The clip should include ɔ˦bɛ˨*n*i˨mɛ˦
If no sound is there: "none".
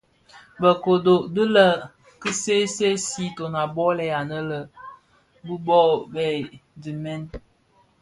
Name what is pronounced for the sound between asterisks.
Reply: d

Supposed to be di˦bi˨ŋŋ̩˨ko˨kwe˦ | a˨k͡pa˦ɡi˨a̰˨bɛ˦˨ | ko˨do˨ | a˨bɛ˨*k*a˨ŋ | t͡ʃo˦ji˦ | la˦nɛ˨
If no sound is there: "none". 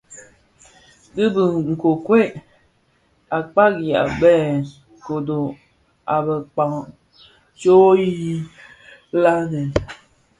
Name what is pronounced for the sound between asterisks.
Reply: k͡p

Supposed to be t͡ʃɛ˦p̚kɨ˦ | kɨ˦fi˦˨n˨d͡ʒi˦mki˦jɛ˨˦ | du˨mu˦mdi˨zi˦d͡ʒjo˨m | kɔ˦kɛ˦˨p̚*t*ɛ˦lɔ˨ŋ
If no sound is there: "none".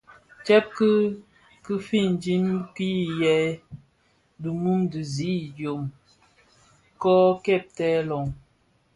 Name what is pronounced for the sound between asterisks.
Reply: t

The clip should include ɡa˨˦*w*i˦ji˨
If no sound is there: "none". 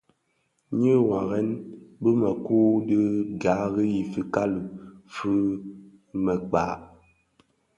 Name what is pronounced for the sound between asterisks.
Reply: ɣ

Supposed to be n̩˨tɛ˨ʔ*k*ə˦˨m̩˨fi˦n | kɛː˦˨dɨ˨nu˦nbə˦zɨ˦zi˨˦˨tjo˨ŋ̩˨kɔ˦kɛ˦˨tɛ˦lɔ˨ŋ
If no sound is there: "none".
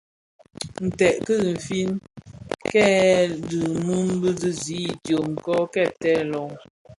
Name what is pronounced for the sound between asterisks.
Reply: k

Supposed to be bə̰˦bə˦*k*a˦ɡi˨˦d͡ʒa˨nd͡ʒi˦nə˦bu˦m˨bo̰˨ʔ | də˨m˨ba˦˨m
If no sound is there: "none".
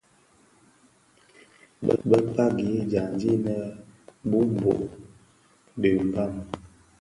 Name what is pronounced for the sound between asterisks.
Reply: p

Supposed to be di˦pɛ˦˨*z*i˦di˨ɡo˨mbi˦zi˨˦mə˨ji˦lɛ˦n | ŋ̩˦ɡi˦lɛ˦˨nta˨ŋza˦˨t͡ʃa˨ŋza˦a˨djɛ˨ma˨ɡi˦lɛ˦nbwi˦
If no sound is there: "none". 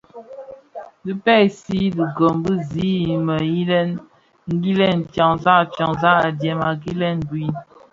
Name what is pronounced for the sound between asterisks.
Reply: s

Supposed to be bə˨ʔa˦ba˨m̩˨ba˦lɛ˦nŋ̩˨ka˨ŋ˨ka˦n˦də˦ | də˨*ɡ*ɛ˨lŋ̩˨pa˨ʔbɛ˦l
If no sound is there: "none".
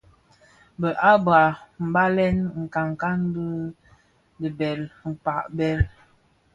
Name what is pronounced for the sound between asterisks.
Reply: b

